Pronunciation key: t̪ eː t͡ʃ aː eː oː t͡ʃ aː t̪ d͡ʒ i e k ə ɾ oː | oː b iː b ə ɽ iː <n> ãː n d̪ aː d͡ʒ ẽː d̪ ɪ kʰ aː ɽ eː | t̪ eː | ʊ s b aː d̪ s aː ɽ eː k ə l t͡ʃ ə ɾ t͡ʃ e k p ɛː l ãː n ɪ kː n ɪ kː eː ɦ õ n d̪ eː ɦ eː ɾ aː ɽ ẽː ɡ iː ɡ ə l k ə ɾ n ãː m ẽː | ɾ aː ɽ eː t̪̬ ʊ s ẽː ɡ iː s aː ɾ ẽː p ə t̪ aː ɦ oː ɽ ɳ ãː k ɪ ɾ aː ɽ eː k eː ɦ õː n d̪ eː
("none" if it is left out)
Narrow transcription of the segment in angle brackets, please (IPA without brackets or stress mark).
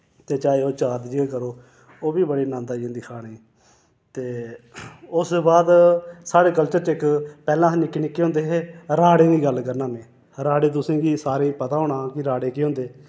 n